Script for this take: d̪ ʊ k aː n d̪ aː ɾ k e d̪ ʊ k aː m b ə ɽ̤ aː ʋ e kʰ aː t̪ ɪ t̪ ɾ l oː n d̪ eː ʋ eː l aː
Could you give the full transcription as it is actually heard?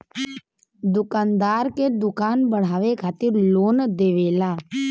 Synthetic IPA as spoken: d̪ ʊ k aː n d̪ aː ɾ k e d̪ ʊ k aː n b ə ɽ̤ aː ʋ e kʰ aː t̪ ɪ ɾ l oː n d̪ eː ʋ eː l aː